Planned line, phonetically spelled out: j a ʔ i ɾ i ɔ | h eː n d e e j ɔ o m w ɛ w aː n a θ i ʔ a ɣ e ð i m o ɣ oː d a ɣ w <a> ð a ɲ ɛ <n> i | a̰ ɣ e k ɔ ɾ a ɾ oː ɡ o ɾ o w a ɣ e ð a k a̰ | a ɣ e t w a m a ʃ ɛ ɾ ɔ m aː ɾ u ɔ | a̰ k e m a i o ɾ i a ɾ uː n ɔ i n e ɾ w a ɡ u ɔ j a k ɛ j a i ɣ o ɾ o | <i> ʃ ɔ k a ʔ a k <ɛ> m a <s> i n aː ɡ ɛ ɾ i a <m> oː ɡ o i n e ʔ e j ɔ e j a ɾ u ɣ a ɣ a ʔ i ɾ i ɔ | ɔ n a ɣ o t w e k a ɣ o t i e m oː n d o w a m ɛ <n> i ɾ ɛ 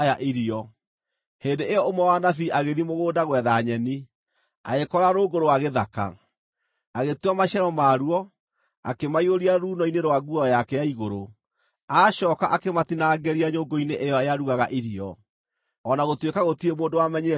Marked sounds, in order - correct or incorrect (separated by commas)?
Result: incorrect, correct, incorrect, incorrect, incorrect, incorrect, incorrect